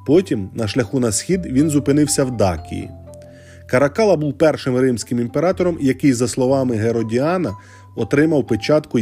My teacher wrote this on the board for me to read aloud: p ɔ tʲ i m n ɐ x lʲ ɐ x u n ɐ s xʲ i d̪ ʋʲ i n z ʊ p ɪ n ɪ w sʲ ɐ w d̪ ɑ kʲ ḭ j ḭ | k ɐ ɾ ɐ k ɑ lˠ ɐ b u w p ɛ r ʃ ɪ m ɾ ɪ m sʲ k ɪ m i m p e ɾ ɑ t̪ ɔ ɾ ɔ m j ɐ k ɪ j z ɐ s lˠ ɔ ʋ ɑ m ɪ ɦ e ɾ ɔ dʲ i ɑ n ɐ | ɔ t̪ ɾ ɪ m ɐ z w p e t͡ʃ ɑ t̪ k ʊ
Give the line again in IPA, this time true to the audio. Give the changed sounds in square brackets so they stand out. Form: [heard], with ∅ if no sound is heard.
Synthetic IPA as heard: p ɔ tʲ i m n ɐ [ʃ] lʲ ɐ x u n ɐ s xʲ i d̪ ʋʲ i n z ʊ p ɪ n ɪ w sʲ ɐ w d̪ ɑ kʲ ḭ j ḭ | k ɐ ɾ ɐ k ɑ lˠ ɐ b u w p ɛ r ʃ ɪ m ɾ ɪ m sʲ k ɪ m i m p e ɾ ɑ t̪ ɔ ɾ ɔ m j ɐ k ɪ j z ɐ s lˠ ɔ ʋ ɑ m ɪ ɦ e ɾ ɔ dʲ i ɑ n ɐ | ɔ t̪ ɾ ɪ m ɐ [∅] w p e t͡ʃ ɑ t̪ k ʊ